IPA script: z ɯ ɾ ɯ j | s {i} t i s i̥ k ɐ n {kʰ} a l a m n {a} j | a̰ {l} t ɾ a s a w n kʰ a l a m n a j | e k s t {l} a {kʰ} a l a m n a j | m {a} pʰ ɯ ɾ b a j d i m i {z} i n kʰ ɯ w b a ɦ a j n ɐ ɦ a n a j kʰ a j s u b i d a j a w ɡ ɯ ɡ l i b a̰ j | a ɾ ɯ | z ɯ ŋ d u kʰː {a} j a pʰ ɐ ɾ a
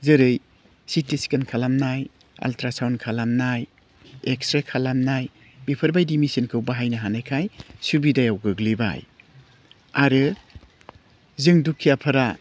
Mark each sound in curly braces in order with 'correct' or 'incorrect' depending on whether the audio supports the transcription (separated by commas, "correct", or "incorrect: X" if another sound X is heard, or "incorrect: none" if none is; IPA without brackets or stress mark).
correct, correct, correct, correct, incorrect: ɾ, correct, incorrect: i, incorrect: s, incorrect: i